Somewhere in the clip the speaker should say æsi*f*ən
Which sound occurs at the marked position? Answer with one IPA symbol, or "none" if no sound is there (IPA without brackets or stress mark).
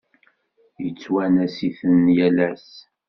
θ